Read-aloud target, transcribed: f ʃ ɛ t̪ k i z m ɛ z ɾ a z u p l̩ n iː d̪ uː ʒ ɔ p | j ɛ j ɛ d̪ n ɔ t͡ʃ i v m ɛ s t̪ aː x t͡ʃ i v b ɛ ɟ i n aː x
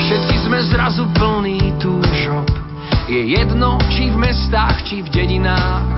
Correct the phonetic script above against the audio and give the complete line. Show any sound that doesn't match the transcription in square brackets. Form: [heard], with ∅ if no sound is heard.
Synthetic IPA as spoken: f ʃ ɛ t̪ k i z m ɛ z ɾ a z u p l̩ n iː [t̪] uː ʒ ɔ p | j ɛ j ɛ d̪ n ɔ t͡ʃ i v m ɛ s t̪ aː x t͡ʃ i v [ɟ] ɛ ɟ i n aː x